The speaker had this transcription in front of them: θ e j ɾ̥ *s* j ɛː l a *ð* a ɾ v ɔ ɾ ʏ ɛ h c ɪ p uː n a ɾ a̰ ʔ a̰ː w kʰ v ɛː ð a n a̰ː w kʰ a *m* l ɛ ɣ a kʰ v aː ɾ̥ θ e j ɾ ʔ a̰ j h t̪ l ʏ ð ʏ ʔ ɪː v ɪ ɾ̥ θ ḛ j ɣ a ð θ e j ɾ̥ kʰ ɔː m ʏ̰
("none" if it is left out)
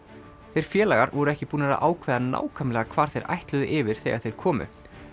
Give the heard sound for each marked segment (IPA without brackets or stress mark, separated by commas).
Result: f, ɣ, m